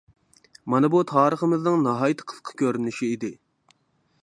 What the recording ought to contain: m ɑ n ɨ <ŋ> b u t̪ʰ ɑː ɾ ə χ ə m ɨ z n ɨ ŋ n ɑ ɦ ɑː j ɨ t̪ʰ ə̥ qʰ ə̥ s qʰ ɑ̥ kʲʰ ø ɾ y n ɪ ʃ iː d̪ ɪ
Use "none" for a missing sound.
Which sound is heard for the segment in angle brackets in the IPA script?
none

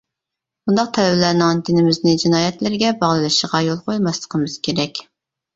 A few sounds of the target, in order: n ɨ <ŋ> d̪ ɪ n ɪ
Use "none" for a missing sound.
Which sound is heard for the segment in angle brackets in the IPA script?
ŋ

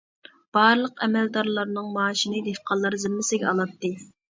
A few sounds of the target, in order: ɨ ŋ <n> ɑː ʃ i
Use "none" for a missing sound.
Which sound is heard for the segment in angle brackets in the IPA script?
m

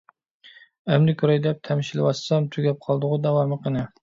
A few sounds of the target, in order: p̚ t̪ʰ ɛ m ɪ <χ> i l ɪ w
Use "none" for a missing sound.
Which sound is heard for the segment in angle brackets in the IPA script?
ʃ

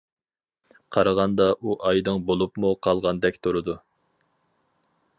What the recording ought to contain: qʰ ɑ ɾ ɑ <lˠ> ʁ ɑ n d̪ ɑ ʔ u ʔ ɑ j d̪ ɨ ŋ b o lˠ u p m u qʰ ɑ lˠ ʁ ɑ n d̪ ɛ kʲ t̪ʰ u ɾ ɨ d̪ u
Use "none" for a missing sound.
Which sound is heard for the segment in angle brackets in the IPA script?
none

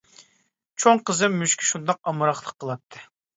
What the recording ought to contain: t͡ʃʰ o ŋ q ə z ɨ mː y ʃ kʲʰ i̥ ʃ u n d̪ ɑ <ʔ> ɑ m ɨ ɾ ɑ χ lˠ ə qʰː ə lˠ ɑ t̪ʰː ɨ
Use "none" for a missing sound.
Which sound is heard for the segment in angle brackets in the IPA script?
q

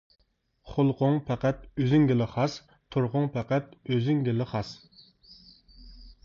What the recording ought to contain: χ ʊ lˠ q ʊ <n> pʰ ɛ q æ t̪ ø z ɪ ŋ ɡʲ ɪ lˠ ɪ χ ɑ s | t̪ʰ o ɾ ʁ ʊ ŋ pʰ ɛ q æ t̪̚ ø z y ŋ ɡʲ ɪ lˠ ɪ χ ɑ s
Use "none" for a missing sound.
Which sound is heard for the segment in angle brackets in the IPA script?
ŋ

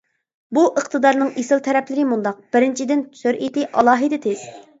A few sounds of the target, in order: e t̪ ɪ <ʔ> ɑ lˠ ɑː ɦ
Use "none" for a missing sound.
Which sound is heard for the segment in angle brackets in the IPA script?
ʔ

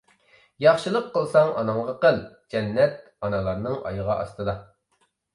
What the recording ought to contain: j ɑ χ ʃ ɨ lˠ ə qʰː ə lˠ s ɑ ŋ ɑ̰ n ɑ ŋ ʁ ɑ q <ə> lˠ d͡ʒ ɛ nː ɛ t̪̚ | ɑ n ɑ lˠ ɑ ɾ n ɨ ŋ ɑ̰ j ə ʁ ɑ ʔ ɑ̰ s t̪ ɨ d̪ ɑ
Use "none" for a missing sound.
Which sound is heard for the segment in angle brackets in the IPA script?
ə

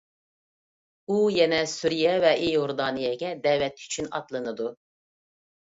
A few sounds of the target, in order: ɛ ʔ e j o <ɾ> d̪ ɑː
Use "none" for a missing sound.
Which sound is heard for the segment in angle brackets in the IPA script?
ɾ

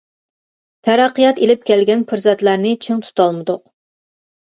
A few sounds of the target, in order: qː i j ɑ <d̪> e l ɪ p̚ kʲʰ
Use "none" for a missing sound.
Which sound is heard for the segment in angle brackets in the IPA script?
t̪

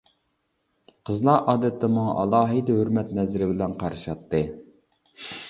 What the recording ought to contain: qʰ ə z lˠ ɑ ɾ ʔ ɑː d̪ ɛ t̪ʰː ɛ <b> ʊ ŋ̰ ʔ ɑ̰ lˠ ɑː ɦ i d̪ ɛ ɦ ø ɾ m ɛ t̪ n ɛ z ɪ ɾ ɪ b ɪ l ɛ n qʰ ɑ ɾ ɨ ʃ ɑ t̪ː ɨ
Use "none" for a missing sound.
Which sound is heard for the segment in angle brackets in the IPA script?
m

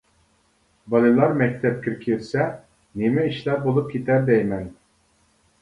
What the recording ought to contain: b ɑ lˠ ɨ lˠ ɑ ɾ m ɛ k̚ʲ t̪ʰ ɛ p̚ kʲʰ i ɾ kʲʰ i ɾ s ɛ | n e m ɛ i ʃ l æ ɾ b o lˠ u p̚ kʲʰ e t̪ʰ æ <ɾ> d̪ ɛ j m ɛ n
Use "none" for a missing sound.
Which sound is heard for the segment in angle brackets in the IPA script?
ɾ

